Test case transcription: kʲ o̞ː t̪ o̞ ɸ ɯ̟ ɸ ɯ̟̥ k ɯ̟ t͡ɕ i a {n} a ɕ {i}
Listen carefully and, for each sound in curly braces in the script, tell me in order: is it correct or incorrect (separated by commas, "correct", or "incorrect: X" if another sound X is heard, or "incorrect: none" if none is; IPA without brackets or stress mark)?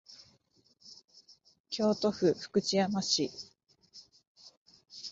incorrect: m, correct